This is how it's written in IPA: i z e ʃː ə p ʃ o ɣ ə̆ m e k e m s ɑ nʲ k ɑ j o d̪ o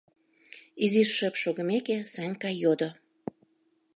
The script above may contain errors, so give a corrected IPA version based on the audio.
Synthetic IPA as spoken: i z i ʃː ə p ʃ o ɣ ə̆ m e k e s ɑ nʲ k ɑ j o d̪ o